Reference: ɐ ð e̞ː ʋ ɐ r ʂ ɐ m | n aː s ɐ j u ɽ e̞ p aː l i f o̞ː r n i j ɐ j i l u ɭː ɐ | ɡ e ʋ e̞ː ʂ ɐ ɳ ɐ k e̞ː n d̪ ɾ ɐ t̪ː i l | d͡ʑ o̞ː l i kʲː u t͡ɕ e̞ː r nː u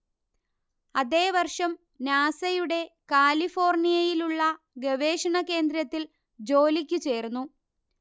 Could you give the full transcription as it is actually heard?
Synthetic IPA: ɐ ð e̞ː ʋ ɐ r ʂ ɐ m | n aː s ɐ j u ɽ e̞ k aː l i f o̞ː r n i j ɐ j i l u ɭː ɐ | ɡ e ʋ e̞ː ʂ ɐ ɳ ɐ k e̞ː n d̪ ɾ ɐ t̪ː i l | d͡ʑ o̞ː l i kʲː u t͡ɕ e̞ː r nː u